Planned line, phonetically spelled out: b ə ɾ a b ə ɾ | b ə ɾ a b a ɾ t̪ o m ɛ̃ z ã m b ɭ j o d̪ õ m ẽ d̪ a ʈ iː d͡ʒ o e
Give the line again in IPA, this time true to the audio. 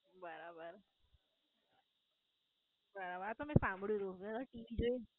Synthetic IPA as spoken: b ə ɾ a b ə ɾ | b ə ɾ a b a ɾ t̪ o m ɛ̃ s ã m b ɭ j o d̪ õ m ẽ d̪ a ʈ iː d͡ʒ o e